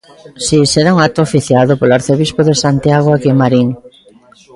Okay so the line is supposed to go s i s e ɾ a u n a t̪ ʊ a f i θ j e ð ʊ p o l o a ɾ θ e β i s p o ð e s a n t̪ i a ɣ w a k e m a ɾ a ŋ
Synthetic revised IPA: s i s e ɾ a u ŋ a t̪ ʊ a f i θ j a ð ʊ p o l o a ɾ θ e β i s p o ð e s a n t̪ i a ɣ w a k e m a ɾ i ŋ